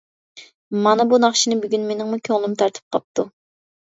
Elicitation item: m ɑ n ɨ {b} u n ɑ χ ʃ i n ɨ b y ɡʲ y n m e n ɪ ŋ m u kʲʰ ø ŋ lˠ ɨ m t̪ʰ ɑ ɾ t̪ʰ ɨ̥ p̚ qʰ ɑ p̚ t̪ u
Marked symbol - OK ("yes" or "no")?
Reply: yes